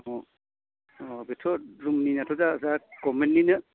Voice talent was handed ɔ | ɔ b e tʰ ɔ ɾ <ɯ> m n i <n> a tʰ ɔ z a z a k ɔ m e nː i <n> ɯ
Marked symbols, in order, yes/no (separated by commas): no, yes, yes